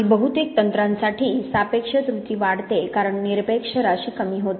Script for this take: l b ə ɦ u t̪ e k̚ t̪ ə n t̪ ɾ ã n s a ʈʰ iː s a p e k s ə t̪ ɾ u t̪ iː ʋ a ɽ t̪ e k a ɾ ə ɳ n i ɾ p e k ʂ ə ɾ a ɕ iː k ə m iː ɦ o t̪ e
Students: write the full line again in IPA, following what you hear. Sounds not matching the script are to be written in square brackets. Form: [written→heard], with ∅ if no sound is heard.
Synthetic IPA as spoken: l b ə ɦ u t̪ e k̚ t̪ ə n t̪ ɾ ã n s a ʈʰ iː s a p e k [s→ʂ] ə t̪ ɾ u t̪ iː ʋ a ɽ t̪ e k a ɾ ə ɳ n i ɾ p e k ʂ ə ɾ a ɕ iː k ə m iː ɦ o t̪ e

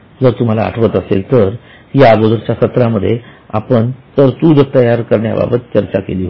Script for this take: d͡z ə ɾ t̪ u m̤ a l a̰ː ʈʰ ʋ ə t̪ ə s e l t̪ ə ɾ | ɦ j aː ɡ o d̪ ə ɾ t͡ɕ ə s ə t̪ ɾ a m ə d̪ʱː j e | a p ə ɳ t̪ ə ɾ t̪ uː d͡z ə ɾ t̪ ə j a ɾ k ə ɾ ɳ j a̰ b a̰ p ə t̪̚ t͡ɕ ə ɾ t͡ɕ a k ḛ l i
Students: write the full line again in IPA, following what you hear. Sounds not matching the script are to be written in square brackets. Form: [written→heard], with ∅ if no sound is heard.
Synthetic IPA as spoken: d͡z ə ɾ t̪ u m̤ a l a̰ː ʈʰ ʋ ə t̪ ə s e l t̪ ə ɾ | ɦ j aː ɡ o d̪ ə ɾ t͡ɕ [ə→a] s ə t̪ ɾ a m ə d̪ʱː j e | a p ə ɳ t̪ ə ɾ t̪ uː d͡z ə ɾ t̪ ə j a ɾ k ə ɾ ɳ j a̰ b a̰ [p→b] ə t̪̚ t͡ɕ ə ɾ t͡ɕ a k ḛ l i

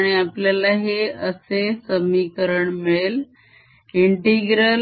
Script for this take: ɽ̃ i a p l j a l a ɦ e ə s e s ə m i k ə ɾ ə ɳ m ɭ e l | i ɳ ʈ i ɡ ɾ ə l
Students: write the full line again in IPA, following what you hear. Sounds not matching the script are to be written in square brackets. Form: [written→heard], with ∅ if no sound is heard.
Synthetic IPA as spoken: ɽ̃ i a p l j a l a ɦ e ə s e s ə m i k ə ɾ ə ɳ m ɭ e l | i ɳ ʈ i ɡ ɾ ə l

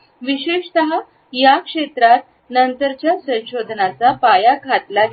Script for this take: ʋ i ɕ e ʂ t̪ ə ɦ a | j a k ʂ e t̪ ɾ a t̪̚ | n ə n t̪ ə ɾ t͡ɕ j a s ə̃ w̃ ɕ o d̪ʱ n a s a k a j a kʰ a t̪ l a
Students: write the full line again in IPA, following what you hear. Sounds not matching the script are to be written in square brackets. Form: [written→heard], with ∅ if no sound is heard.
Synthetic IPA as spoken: ʋ i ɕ e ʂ t̪ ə ɦ a | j a k ʂ e t̪ ɾ a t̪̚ | n ə n t̪ ə ɾ t͡ɕ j a s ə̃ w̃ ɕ o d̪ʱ n a [s→t͡s] a [k→p] a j a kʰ a t̪ l a

